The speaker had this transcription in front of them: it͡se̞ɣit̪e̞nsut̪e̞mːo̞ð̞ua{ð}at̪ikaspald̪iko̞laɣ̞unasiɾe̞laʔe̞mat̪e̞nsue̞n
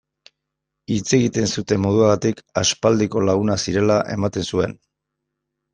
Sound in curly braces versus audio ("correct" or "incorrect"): incorrect